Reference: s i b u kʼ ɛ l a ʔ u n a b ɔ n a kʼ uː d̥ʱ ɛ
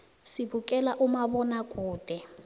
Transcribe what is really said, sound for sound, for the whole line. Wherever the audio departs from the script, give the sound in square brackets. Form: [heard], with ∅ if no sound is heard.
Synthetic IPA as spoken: s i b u kʼ ɛ l a ʔ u [m] a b ɔ n a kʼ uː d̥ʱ ɛ